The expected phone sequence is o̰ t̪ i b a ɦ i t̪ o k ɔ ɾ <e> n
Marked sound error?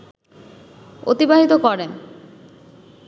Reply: no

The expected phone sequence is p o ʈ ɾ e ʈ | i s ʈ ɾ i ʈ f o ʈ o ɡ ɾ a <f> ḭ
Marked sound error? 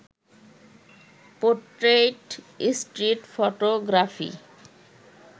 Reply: no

